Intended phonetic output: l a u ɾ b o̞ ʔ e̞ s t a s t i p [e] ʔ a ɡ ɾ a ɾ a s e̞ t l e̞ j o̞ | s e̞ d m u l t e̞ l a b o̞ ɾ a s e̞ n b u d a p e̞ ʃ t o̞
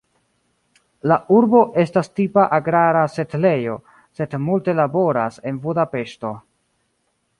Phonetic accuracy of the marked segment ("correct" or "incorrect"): incorrect